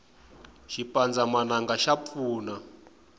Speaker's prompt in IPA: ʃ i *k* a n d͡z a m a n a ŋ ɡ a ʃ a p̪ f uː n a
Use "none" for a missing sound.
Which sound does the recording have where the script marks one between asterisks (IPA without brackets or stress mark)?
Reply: p